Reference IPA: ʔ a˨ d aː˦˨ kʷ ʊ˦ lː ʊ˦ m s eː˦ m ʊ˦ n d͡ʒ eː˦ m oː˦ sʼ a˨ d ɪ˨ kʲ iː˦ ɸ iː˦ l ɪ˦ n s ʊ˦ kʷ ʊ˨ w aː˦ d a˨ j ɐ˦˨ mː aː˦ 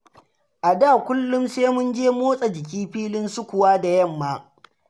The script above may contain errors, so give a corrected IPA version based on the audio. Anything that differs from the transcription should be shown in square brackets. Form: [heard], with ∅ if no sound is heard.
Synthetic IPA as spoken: ʔ a˨ d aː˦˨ kʷ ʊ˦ lː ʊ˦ m s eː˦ m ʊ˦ n d͡ʒ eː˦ m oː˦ sʼ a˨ [d͡ʒ] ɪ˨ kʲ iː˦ ɸ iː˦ l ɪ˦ n s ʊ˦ kʷ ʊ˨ w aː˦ d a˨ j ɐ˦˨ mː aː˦